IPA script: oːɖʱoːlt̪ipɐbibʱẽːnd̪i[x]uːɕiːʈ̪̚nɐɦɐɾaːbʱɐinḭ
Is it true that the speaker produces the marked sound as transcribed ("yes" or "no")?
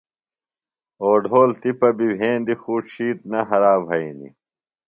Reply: yes